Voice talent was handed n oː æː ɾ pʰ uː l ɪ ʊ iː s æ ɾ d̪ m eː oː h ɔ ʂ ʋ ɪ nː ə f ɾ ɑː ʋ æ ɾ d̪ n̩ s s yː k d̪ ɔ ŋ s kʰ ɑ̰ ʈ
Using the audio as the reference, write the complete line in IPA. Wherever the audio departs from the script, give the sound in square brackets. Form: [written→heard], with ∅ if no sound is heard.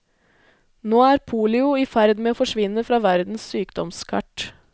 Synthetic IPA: n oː æː ɾ pʰ uː l ɪ ʊ iː [s→f] æ ɾ d̪ m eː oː [h→f] ɔ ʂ ʋ ɪ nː ə f ɾ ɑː ʋ æ ɾ d̪ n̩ s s yː k d̪ ɔ [ŋ→m] s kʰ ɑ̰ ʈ

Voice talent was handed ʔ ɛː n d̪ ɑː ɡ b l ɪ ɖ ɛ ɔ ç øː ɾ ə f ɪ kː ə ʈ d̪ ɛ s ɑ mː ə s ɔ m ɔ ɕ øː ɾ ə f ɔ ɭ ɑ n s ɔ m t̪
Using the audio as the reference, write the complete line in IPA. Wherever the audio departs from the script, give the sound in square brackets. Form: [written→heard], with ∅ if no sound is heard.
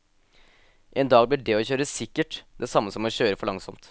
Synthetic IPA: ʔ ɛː n d̪ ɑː ɡ b l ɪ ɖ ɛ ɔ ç øː ɾ ə [f→s] ɪ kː ə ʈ d̪ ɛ s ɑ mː ə s ɔ m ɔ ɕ øː ɾ ə f ɔ ɭ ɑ [n→ŋ] s ɔ m t̪

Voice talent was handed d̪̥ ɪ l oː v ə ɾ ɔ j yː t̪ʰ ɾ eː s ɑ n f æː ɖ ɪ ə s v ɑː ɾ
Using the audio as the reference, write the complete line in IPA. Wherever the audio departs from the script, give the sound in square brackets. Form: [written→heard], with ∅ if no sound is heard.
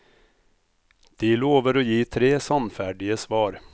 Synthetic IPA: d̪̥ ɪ l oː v ə ɾ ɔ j [yː→iː] t̪ʰ ɾ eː s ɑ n f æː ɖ ɪ ə s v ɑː ɾ

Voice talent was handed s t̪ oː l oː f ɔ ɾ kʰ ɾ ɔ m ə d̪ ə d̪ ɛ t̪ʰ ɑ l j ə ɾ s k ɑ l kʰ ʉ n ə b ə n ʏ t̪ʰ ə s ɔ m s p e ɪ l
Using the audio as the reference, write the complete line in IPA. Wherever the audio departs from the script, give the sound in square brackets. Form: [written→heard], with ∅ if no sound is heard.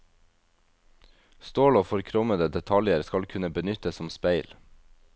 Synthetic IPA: s t̪ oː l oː f ɔ ɾ kʰ ɾ ɔ m ə d̪ ə d̪ ɛ t̪ʰ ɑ l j ə ɾ s k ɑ l kʰ ʉ n ə b ə n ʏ [t̪ʰ→t̪] ə s ɔ m s p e ɪ l

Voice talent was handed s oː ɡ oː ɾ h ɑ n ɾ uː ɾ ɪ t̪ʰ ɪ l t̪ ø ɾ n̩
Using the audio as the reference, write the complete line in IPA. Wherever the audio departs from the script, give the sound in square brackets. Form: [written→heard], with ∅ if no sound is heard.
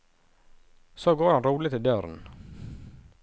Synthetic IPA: s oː ɡ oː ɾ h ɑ n ɾ uː [ɾ→l] ɪ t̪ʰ ɪ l [t̪→d̪] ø ɾ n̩

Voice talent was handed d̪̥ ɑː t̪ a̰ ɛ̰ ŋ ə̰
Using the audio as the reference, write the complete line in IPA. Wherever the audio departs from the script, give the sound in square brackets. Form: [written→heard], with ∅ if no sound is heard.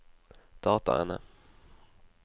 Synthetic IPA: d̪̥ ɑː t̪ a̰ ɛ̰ [ŋ→n] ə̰

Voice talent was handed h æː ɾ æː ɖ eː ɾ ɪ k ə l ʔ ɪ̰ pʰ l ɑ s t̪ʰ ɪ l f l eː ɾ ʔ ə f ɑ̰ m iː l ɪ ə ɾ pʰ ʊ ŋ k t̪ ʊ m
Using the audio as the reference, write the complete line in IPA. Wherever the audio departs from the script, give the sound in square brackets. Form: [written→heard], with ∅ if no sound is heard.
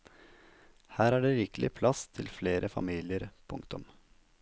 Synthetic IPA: h æː ɾ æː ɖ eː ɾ ɪ k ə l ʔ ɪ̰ pʰ l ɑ s t̪ʰ ɪ l f l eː ɾ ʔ ə f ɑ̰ m iː l ɪ ə ɾ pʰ ʊ ŋ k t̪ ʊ m

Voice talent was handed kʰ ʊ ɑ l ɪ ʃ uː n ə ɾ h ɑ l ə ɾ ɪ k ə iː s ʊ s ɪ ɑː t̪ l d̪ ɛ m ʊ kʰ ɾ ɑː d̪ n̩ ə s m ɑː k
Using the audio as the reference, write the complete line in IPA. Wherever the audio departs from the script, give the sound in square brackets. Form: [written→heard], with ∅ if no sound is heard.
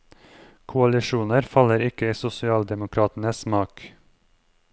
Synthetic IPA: kʰ ʊ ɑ l ɪ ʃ uː n ə ɾ [h→f] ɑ l ə ɾ ɪ k ə iː s ʊ s ɪ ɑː [t̪→∅] l d̪ ɛ m ʊ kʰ ɾ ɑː [d̪→t̪] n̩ ə s m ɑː k

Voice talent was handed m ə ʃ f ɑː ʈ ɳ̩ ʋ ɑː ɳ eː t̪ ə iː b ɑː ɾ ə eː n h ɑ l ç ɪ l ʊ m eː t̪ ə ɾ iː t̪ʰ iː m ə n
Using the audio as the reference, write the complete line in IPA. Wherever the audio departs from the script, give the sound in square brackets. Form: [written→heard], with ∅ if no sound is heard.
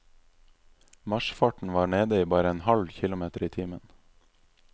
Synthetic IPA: m [ə→ɑ] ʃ f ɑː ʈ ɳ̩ ʋ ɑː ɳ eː [t̪→d̪] ə iː b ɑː ɾ ə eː n h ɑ l ç ɪ l ʊ m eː t̪ ə ɾ iː t̪ʰ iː m ə n

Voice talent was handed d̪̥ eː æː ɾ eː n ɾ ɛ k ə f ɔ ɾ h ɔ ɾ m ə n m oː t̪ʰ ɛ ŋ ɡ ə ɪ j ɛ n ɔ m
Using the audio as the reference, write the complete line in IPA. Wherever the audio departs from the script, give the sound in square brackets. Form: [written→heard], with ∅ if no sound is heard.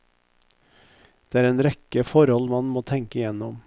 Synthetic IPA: d̪̥ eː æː ɾ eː n ɾ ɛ k ə f ɔ ɾ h ɔ [ɾ→l] m [ə→ɑ] n m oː t̪ʰ ɛ ŋ [ɡ→k] ə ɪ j ɛ n ɔ m

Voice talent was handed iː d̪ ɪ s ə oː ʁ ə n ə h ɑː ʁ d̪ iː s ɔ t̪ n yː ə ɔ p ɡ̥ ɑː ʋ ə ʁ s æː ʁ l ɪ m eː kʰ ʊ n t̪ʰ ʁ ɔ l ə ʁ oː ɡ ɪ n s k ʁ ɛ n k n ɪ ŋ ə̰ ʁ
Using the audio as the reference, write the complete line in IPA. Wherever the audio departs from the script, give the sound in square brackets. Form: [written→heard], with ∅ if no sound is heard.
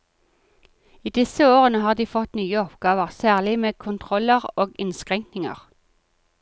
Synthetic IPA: iː d̪ ɪ s ə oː ʁ ə n ə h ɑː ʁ d̪ iː [s→f] ɔ t̪ n yː ə ɔ p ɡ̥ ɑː ʋ ə ʁ s æː ʁ l ɪ m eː kʰ ʊ n t̪ʰ ʁ ɔ l ə ʁ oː ɡ ɪ n s k ʁ ɛ [n→ŋ] k n ɪ ŋ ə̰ ʁ

